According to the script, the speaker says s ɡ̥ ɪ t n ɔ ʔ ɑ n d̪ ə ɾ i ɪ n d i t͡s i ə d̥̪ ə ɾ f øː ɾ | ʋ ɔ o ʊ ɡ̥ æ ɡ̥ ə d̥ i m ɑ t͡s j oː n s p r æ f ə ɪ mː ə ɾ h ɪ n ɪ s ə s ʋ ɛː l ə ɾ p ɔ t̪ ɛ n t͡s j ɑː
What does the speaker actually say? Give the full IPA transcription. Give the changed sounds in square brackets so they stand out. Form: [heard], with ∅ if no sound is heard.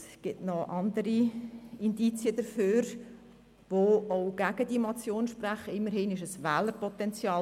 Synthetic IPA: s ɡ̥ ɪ t n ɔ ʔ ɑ n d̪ ə ɾ i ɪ n d i t͡s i ə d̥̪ ə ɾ f øː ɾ | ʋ [o] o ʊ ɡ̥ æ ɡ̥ ə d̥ i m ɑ t͡s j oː n [ʃ] p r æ [χ] ə ɪ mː ə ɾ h ɪ n ɪ [ʃ] ə s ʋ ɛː l ə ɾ p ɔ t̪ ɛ n t͡s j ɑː